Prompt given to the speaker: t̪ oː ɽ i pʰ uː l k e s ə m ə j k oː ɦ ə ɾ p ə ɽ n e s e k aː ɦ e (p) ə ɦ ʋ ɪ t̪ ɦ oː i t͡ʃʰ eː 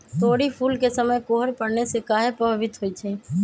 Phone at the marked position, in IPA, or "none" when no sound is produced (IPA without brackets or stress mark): p